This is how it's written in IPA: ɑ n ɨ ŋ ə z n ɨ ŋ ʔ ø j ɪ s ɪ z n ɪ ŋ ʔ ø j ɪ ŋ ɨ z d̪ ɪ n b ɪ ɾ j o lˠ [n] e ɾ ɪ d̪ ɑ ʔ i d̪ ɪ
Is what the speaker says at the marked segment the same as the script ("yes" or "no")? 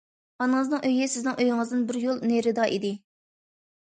yes